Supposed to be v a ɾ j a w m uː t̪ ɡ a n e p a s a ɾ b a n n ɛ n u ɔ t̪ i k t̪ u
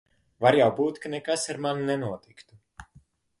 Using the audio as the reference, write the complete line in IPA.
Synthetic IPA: v a ɾ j a w b uː t̪ k a n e k a s a ɾ m a n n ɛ n u ɔ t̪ i k t̪ u